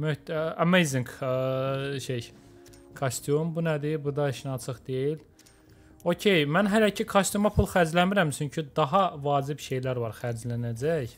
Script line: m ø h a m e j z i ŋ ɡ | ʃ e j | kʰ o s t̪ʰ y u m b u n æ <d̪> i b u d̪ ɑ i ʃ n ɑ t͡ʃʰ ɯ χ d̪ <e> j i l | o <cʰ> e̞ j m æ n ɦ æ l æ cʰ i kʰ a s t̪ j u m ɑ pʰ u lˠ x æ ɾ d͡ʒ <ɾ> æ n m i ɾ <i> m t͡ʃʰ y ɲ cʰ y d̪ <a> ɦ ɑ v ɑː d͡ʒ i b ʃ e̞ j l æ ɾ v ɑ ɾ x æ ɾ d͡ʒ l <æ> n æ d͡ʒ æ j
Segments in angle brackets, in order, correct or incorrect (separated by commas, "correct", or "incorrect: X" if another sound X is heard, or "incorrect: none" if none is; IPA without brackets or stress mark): correct, correct, correct, incorrect: l, incorrect: æ, incorrect: ɑ, correct